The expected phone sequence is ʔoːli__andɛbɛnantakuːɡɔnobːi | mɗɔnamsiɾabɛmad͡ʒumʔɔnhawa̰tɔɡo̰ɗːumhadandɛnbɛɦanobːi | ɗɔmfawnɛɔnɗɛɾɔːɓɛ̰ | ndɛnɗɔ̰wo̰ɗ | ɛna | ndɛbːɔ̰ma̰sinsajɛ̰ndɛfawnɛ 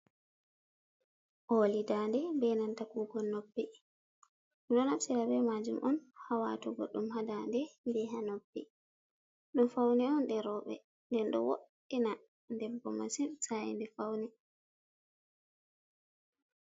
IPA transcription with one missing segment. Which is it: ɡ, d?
d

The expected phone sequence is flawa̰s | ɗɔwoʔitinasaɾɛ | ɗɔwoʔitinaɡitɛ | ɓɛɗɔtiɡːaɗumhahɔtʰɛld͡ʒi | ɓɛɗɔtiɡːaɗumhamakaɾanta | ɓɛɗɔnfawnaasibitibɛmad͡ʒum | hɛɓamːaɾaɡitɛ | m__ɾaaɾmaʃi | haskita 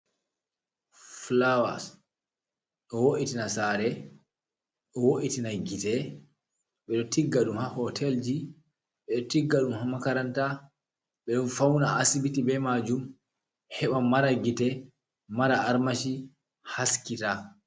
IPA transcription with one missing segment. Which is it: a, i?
a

